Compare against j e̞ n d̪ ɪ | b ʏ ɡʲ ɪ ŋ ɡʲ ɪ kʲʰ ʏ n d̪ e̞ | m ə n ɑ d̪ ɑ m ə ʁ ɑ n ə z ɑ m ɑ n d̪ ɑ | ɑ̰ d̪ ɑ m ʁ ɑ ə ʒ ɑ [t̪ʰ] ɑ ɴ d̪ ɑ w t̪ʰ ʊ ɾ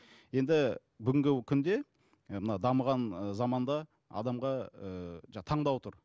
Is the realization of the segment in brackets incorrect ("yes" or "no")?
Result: no